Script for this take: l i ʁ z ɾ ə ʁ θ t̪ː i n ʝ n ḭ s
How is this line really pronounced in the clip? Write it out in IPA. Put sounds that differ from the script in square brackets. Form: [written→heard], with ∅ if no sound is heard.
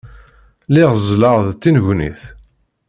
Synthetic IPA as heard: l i ʁ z [ɾ→l] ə ʁ [θ→ð] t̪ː i n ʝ n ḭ [s→θ]